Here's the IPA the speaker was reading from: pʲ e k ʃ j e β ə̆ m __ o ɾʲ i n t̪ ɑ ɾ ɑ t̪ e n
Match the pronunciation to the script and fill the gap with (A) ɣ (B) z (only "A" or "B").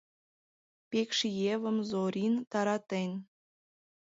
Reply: B